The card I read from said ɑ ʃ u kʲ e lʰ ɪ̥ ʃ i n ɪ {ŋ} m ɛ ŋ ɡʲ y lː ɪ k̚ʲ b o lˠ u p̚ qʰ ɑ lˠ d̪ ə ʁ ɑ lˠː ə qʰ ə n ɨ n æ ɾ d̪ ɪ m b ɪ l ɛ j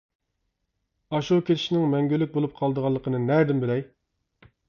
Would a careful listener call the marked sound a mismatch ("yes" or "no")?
no